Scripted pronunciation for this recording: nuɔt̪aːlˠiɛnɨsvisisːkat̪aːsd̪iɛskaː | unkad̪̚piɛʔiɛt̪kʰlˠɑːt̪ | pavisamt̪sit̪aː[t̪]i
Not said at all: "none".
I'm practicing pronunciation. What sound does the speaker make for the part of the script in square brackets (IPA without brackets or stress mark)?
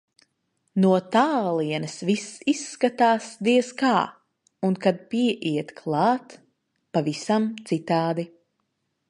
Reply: d̪